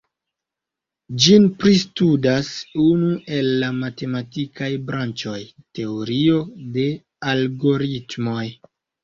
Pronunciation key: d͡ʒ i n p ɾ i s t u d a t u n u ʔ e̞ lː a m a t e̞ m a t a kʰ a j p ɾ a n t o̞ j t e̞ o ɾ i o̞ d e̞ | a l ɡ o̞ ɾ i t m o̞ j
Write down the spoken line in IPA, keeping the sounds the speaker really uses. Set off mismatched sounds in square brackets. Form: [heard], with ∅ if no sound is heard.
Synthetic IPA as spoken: d͡ʒ i n p ɾ i s t u d a [s] u n u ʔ e̞ lː a m a t e̞ m a t [i] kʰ a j [b] ɾ a n [t͡ʃ] o̞ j t e̞ o ɾ i o̞ d e̞ | a l ɡ o̞ ɾ i t m o̞ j

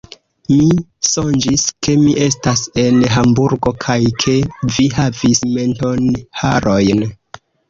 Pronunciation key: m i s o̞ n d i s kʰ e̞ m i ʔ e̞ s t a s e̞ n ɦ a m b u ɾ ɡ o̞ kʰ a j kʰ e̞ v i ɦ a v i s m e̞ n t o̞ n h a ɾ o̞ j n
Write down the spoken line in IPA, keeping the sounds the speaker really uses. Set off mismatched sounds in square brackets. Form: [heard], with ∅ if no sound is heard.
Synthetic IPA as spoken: m i s o̞ n [d͡ʒ] i s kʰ e̞ m i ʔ e̞ s t a s e̞ n ɦ a m b u ɾ ɡ o̞ kʰ a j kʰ e̞ v i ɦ a v i s m e̞ n t o̞ n h a ɾ o̞ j n

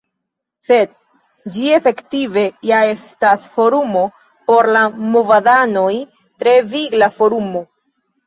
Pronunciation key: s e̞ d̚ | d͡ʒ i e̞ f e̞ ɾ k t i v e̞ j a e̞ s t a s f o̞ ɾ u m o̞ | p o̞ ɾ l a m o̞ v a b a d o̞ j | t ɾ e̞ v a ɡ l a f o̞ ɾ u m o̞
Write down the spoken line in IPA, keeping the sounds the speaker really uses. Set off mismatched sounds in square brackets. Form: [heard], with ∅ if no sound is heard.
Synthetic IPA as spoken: s e̞ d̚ | d͡ʒ i e̞ f e̞ [∅] k t i v e̞ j a e̞ s t a s f o̞ ɾ u m o̞ | p o̞ ɾ l a m o̞ v a [d] a [n] o̞ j | t ɾ e̞ v [i] ɡ l a f o̞ ɾ u m o̞

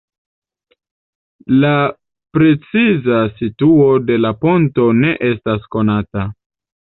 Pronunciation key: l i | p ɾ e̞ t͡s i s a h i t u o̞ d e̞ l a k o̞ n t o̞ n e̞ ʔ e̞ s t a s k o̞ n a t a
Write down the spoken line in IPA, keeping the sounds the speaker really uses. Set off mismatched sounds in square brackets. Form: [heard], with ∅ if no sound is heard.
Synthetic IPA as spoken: l [a] | p ɾ e̞ t͡s i [z] a [s] i t u o̞ d e̞ l a [p] o̞ n t o̞ n e̞ ʔ e̞ s t a s k o̞ n a t a

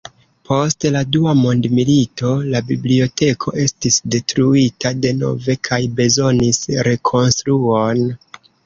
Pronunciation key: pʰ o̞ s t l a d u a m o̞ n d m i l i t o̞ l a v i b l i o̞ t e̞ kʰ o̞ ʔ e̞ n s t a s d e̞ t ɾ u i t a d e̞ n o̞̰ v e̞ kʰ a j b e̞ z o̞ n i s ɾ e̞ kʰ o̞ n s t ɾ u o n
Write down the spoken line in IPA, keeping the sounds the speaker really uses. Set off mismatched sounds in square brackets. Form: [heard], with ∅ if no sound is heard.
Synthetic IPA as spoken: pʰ o̞ s t l a d u a m o̞ n d m i l i t o̞ l a [b] i b l i o̞ t e̞ kʰ o̞ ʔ e̞ [∅] s t [i] s d e̞ t ɾ u i t a d e̞ n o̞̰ v e̞ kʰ a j b e̞ z o̞ n i s ɾ e̞ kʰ o̞ n s t ɾ u o n

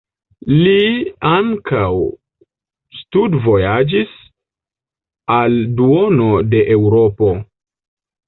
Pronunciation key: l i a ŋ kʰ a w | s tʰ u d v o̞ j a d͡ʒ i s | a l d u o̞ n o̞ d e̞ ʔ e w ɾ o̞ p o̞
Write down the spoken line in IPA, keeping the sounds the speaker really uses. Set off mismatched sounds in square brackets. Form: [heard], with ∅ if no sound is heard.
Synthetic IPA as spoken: l i a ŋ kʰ a w | s [t] u d v o̞ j a d͡ʒ i s | a l d u o̞ n o̞ d e̞ ʔ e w ɾ o̞ p o̞

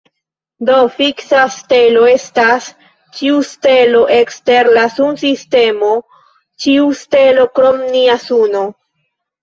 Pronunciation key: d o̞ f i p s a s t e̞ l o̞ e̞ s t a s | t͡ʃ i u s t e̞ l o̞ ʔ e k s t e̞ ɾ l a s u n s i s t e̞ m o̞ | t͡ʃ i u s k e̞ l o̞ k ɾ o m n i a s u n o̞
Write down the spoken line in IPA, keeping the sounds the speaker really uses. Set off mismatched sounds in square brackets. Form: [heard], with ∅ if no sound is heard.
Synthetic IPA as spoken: d o̞ f i [k] s a s t e̞ l o̞ e̞ s t a s | t͡ʃ i u s t e̞ l o̞ ʔ e k s t e̞ ɾ l a s u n s i s t e̞ m o̞ | t͡ʃ i u s [t] e̞ l o̞ k ɾ o m n i a s u n o̞

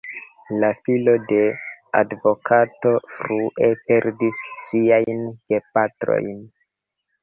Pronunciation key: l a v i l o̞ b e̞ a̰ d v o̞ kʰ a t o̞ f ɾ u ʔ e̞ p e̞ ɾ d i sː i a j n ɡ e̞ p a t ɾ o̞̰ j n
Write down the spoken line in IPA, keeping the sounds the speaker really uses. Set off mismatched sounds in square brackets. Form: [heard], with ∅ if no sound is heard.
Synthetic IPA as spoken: l a [f] i l o̞ [d] e̞ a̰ d v o̞ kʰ a t o̞ f ɾ u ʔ e̞ p e̞ ɾ d i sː i a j n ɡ e̞ p a t ɾ o̞̰ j n

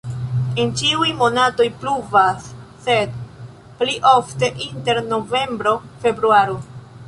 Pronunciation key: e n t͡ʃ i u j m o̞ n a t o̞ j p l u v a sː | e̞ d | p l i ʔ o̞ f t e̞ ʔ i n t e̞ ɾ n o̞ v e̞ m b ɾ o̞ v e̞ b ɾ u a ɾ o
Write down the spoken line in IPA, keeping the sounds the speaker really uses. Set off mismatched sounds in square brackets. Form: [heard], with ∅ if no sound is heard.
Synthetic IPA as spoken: e n t͡ʃ i u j m o̞ n a t o̞ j p l u v a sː | e̞ d | p l i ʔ o̞ f t e̞ ʔ i n t e̞ ɾ n o̞ v e̞ m b ɾ o̞ [f] e̞ b ɾ u a ɾ o

